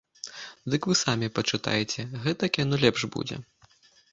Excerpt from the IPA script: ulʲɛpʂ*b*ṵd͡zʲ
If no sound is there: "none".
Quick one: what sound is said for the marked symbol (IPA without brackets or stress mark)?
b